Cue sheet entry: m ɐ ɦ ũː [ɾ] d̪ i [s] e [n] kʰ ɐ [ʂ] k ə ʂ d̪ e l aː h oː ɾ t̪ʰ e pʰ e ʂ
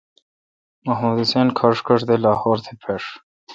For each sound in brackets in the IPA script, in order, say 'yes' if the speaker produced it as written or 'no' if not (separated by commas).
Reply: no, yes, yes, yes